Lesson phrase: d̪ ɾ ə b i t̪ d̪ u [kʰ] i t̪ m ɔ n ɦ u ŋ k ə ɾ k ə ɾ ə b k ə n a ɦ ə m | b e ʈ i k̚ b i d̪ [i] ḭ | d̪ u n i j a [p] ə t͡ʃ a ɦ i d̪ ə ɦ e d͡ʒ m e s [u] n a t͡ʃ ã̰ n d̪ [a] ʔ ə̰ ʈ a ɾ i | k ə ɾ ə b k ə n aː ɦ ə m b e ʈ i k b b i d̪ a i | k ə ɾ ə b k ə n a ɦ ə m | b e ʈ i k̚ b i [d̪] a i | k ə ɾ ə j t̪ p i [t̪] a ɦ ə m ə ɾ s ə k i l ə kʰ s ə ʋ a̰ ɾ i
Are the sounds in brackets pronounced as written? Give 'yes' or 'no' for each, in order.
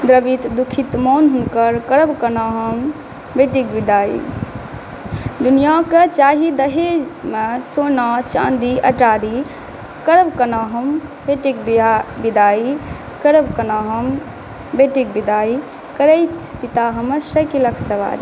yes, no, no, no, no, yes, yes

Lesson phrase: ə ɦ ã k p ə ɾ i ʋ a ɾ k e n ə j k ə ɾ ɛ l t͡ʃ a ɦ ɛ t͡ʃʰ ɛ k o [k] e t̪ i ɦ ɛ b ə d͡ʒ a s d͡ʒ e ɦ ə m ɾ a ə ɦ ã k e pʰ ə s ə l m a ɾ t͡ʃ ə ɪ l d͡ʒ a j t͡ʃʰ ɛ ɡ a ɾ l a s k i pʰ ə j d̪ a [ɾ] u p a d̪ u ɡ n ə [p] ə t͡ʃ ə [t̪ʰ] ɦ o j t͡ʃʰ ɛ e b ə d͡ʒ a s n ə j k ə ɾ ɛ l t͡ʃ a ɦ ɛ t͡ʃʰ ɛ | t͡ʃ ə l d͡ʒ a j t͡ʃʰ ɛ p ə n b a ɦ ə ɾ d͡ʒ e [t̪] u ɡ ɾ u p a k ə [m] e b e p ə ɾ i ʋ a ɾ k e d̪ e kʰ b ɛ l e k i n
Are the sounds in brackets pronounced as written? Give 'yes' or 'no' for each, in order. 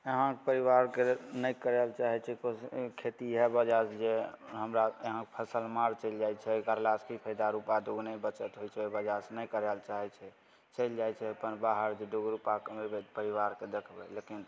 no, yes, no, no, no, yes

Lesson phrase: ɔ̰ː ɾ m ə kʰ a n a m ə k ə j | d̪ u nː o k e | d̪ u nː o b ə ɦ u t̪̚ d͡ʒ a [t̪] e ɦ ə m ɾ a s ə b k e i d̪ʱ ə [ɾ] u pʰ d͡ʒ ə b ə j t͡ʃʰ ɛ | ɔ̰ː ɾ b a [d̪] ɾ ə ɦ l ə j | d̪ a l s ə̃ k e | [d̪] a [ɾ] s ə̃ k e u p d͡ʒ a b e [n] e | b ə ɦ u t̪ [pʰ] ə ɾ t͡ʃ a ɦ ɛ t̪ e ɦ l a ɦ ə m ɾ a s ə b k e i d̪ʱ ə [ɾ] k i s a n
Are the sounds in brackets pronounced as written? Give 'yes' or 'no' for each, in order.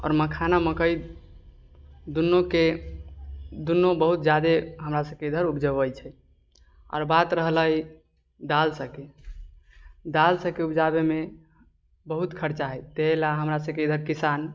no, yes, no, yes, no, no, no, yes

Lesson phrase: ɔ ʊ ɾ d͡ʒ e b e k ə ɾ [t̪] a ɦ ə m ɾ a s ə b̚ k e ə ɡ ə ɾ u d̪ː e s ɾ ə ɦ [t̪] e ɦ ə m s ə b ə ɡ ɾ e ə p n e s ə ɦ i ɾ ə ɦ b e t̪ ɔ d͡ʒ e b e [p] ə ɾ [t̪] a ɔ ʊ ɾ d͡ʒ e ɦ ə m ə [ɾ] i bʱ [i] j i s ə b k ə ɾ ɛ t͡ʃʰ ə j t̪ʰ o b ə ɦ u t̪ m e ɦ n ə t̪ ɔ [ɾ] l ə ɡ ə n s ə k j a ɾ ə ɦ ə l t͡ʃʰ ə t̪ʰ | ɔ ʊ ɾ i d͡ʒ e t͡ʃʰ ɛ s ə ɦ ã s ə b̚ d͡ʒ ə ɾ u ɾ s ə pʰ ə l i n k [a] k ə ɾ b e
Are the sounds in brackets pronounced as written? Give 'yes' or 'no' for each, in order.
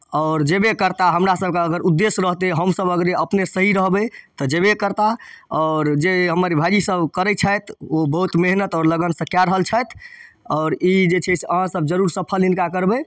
yes, yes, no, yes, yes, no, yes, yes

